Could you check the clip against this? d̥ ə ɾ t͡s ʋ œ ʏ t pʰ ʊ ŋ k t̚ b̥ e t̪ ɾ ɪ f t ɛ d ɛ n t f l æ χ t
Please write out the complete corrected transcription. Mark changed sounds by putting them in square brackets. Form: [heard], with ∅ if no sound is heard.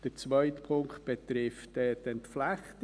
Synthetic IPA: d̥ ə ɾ t͡s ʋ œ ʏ t pʰ ʊ ŋ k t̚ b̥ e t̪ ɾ ɪ f t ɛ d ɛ n t f l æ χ t